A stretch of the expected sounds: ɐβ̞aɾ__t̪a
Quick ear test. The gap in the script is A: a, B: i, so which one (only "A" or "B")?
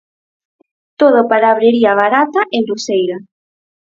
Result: A